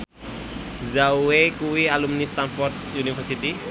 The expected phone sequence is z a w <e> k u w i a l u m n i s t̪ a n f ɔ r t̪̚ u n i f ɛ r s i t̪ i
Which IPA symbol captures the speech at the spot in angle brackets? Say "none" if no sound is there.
e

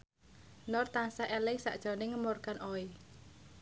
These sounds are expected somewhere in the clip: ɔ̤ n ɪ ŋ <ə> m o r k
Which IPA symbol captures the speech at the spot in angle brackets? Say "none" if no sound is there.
ə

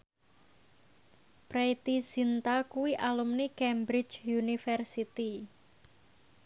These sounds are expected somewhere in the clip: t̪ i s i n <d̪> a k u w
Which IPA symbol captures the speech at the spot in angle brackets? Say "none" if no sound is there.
t̪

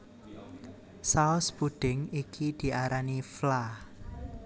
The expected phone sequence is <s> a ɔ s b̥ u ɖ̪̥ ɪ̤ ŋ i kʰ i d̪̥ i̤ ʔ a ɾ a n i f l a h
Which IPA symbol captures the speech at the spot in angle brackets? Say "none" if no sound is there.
s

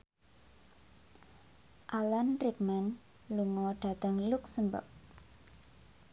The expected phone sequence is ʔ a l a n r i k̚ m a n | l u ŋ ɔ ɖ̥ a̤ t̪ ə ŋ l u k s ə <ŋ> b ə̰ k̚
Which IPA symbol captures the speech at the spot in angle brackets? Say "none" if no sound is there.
m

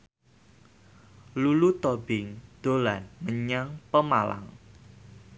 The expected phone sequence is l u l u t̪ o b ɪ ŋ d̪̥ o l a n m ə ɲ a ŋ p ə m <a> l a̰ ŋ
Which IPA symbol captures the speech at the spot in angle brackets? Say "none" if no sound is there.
a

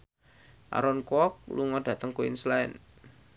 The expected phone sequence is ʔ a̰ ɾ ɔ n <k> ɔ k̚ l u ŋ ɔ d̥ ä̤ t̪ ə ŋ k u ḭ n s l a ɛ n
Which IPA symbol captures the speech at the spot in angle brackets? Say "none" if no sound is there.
k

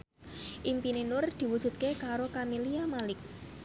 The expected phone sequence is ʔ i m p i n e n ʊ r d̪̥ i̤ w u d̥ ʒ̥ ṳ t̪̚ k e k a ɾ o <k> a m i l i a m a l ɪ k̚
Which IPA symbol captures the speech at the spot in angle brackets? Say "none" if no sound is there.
k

